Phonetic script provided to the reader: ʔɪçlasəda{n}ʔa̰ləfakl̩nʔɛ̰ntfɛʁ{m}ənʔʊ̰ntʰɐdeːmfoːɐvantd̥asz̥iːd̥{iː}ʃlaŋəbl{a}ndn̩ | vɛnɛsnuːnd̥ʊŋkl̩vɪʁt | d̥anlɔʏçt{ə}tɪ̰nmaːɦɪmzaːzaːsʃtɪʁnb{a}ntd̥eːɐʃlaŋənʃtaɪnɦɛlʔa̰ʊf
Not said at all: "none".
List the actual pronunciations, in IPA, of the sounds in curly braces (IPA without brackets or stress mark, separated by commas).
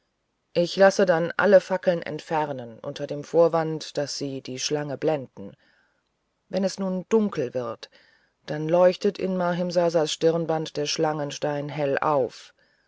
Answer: n, n, iː, ɛ, ə, a